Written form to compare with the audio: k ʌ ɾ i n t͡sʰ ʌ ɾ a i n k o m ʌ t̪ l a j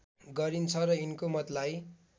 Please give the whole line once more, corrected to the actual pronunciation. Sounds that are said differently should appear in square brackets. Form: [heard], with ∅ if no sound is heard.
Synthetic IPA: [ɡ] ʌ ɾ i n t͡sʰ ʌ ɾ [ʌ] i n k o m ʌ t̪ l a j